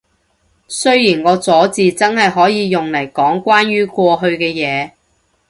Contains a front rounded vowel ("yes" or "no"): yes